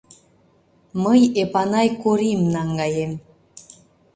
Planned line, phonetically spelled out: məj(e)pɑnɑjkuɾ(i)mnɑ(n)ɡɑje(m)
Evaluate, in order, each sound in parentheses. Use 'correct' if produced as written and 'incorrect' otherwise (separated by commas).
correct, correct, incorrect, correct